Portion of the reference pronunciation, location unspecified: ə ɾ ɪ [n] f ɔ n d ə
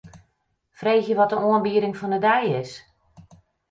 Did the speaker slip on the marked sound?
yes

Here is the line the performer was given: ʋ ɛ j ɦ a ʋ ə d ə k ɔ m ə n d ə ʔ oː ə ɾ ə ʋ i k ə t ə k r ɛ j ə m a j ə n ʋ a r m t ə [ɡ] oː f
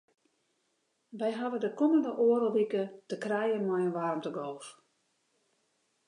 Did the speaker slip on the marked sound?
no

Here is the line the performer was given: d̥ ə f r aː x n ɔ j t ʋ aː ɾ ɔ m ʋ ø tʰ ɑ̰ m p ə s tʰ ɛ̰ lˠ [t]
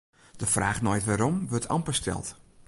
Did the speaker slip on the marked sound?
no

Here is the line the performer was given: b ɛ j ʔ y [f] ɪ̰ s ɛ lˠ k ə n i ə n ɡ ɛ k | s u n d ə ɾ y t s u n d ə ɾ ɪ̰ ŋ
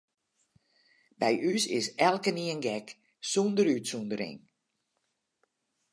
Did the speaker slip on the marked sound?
yes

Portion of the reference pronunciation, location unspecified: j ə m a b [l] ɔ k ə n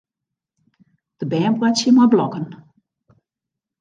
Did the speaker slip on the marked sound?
no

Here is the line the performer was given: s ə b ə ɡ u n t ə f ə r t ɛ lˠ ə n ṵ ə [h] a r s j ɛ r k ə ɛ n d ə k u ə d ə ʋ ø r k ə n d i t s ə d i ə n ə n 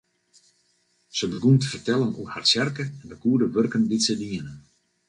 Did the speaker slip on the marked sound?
no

